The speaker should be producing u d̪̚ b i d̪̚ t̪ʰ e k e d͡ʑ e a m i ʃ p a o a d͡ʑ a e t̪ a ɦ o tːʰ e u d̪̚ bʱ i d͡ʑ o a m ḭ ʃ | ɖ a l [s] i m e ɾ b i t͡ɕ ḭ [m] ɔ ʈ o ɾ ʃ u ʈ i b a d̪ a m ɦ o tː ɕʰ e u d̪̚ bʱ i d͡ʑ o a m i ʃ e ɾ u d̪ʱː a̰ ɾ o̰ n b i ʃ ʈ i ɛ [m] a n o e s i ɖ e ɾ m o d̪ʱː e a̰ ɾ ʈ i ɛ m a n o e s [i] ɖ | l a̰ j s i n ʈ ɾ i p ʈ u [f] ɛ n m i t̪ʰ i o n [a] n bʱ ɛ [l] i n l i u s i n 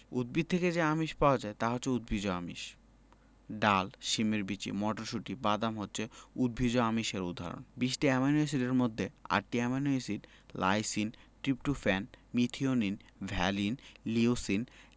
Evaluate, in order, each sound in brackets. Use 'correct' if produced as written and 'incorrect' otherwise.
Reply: incorrect, correct, correct, correct, correct, incorrect, correct

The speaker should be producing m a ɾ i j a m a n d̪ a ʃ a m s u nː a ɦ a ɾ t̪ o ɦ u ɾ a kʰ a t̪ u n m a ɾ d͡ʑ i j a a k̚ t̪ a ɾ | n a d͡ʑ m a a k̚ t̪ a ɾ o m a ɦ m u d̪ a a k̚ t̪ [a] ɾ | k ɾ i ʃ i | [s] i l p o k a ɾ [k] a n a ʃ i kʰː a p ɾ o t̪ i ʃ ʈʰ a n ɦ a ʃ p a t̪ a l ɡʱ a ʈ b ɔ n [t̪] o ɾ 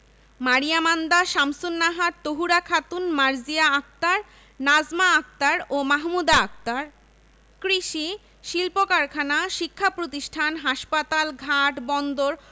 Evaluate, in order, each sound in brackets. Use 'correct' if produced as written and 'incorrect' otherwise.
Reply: correct, incorrect, incorrect, incorrect

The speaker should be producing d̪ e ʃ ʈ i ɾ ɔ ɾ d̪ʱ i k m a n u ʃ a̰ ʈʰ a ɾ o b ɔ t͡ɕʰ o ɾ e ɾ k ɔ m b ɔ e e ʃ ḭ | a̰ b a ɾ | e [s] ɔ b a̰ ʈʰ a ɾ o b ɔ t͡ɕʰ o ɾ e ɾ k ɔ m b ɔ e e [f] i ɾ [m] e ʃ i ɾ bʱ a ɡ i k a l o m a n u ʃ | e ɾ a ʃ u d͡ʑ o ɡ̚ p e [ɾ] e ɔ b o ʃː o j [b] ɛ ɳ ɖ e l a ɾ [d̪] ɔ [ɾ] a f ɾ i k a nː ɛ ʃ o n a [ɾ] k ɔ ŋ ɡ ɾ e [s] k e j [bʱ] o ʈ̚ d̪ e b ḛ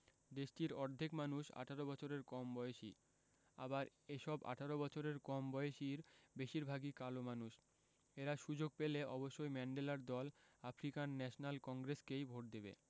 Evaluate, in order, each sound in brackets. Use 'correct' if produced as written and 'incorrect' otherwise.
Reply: incorrect, incorrect, incorrect, incorrect, incorrect, correct, incorrect, incorrect, correct, correct

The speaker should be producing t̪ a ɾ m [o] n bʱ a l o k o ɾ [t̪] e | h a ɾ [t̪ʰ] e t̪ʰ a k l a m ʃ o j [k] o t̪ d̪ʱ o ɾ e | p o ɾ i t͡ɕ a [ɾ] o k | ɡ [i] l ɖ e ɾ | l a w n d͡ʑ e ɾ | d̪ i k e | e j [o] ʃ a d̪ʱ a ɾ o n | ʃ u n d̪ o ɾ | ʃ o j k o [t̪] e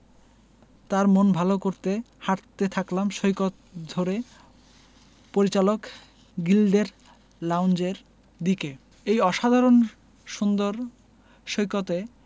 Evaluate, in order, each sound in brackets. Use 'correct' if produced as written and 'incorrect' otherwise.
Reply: correct, correct, incorrect, correct, incorrect, correct, incorrect, correct

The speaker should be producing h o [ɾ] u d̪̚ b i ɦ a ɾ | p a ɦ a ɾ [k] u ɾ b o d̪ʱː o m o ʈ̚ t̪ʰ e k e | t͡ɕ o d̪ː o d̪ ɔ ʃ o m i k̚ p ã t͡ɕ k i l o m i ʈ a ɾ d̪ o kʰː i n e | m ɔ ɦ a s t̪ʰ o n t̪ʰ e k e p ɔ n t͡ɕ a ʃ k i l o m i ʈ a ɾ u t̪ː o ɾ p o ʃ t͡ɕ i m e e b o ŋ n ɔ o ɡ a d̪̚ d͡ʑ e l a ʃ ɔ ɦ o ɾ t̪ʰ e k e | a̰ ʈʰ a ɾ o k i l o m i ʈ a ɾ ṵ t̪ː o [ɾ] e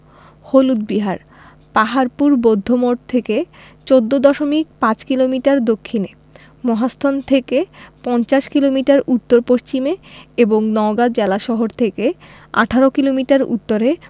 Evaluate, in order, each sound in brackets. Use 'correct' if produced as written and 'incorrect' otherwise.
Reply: incorrect, incorrect, correct

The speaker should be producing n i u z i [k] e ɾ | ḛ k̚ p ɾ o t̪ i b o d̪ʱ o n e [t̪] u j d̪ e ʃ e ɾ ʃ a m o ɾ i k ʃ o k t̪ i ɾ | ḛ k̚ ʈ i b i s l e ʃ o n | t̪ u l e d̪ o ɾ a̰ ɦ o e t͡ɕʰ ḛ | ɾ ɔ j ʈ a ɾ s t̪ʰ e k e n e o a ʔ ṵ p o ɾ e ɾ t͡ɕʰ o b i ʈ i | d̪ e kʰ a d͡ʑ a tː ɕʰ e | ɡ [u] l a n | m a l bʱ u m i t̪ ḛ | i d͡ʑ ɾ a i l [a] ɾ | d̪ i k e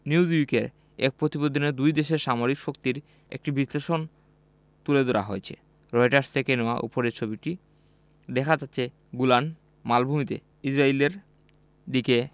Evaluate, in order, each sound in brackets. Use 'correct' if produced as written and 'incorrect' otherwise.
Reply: correct, incorrect, correct, incorrect

